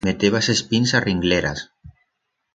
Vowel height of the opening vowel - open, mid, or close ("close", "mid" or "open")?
mid